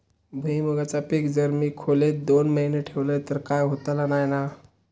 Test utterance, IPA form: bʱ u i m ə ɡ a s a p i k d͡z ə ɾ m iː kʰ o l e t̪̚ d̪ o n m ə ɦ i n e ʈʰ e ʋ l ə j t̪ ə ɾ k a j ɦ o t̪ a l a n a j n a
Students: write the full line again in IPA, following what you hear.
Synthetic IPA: bʱ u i m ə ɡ a t͡s a p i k d͡z ə ɾ m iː kʰ o l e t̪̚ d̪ o n m ə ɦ i n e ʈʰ e ʋ l ə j t̪ ə ɾ k a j ɦ o t̪ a l a n a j n a

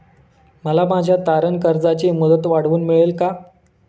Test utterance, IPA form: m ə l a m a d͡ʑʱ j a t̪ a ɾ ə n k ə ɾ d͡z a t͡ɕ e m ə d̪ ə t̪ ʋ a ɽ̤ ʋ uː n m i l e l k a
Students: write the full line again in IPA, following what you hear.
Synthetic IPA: m ə l a m a d͡ʑʱ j a t̪ a ɾ ə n k ə ɾ d͡z a t͡ɕ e m ə d̪ ə t̪ ʋ a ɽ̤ ʋ uː n m i ɭ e l k a

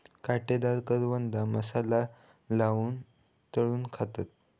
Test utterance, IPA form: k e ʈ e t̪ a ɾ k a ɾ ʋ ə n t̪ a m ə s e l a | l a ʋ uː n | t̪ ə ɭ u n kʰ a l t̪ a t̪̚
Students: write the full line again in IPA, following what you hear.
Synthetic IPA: k a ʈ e d̪ a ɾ k ə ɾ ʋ ə n d̪ a m ə s a l a | l a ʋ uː n | t̪ ə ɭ uː n kʰ a t̪ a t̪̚

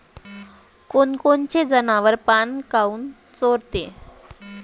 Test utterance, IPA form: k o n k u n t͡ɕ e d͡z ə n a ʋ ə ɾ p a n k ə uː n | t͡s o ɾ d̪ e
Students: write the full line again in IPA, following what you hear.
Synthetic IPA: k o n k o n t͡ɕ e d͡z ə n a ʋ ə ɾ p a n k a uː n | t͡s o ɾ t̪ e

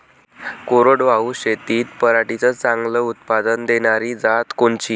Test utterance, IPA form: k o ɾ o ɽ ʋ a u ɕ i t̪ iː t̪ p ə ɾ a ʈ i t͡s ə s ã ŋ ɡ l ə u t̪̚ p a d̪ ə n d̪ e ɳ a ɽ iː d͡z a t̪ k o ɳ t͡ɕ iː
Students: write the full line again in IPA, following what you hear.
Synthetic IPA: k o ɾ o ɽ ʋ a u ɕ e t̪ iː t̪ p ə ɾ a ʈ i t͡s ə t͡s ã ŋ ɡ l ə u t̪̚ p a d̪ ə n d̪ e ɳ a ɾ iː d͡z a t̪ k o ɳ t͡ɕ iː

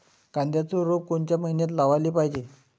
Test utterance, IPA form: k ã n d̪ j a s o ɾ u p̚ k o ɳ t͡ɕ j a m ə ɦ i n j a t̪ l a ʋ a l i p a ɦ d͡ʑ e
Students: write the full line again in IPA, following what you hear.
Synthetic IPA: k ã n d̪ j a t͡s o ɾ o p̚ k o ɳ t͡ɕ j a m ə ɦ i n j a t̪ l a ʋ a l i p a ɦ d͡ʑ e

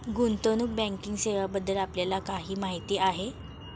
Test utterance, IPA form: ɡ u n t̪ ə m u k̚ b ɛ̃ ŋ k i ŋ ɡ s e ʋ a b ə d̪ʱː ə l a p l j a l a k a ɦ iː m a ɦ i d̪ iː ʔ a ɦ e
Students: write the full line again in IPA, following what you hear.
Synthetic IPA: ɡ u n t̪ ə n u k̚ b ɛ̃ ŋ k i ŋ ɡ s e ʋ a b ə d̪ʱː ə l a p l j a l a k a ɦ iː m a ɦ i t̪ iː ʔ a ɦ e

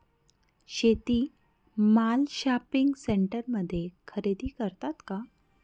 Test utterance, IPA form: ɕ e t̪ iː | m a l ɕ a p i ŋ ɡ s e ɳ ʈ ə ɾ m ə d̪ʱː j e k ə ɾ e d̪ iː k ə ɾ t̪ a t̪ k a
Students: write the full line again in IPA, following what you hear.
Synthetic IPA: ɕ e t̪ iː | m a l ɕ a p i ŋ ɡ s e ɳ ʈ ə ɾ m ə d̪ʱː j e kʰ ə ɾ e d̪ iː k ə ɾ t̪ a t̪ k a

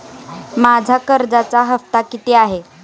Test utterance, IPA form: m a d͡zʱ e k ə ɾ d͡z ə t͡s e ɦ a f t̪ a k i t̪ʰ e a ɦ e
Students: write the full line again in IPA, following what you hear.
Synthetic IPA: m a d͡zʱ a k ə ɾ d͡z a t͡s a ɦ ə f t̪ a k i t̪ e a ɦ e

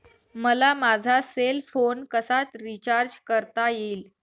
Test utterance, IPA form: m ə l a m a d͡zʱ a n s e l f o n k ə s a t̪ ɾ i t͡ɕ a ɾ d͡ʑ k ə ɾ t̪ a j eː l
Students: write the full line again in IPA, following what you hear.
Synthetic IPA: m ə l a m a d͡zʱ a s e l f o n k ə s a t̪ ɾ i t͡ɕ a ɾ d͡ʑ k ə ɾ t̪ a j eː l

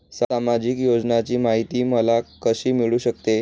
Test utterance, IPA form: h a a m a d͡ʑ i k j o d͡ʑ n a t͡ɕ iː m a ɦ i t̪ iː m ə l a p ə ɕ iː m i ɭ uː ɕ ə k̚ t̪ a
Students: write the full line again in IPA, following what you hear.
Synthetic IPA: s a a m a d͡ʑ i k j o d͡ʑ n a t͡ɕ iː m a ɦ i t̪ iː m ə l a k ə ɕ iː m i ɭ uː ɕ ə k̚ t̪ e

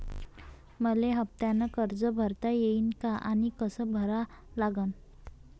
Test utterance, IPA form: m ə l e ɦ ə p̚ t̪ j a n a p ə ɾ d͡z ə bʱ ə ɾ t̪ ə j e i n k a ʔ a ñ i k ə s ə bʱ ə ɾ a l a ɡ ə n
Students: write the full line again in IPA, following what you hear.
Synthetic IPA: m ə l e ɦ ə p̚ t̪ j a n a k ə ɾ d͡z ə bʱ ə ɾ t̪ a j e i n k a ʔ a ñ i k ə s ə bʱ ə ɾ a l a ɡ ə n

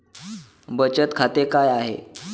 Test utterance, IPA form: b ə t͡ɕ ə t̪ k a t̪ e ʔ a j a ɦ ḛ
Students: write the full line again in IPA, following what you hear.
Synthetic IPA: b ə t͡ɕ ə t̪ kʰ a t̪ e k a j a ɦ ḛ

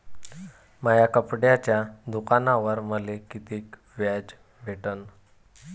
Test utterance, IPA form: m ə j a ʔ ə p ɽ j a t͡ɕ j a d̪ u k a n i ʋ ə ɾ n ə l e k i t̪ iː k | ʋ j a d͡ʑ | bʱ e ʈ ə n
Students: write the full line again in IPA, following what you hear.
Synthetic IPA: m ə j a k ə p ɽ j a t͡ɕ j a d̪ u k a n a ʋ ə ɾ m ə l e k i t̪ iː k | ʋ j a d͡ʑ | bʱ e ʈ ə n

